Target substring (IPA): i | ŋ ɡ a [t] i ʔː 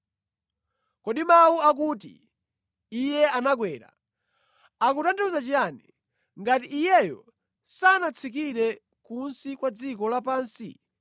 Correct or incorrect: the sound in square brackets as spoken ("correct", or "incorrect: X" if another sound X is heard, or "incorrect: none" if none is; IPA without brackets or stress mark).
correct